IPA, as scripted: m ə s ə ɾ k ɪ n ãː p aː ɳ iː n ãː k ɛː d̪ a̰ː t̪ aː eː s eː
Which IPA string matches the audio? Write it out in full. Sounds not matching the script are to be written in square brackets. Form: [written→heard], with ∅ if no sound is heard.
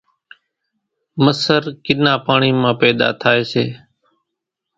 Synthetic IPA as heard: m ə s ə ɾ k ɪ n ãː p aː ɳ iː [n→m] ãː [k→p] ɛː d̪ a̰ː [t̪→t̪ʰ] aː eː s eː